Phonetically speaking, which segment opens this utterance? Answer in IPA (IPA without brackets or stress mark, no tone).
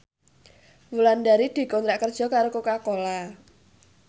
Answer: w